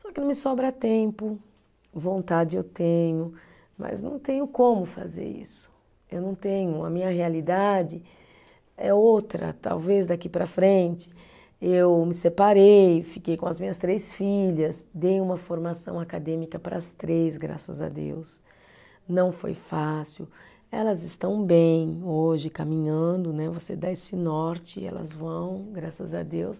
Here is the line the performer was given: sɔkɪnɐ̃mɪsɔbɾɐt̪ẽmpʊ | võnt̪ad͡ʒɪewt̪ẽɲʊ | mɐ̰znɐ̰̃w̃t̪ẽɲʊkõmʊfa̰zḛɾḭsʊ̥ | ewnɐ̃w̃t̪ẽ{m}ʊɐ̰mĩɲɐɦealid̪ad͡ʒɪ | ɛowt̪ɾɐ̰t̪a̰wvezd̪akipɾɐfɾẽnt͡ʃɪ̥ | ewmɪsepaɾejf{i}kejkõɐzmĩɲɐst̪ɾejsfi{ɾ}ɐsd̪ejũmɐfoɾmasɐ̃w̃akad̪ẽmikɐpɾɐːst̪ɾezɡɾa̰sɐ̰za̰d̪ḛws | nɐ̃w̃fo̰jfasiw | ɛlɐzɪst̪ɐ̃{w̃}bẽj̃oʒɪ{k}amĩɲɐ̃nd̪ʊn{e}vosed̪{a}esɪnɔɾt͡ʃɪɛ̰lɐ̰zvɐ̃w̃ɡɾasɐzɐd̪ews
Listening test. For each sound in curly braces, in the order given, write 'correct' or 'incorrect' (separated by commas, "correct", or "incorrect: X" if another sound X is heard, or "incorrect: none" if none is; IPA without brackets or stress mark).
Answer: incorrect: ɲ, correct, incorrect: ʎ, correct, correct, incorrect: ɛ, correct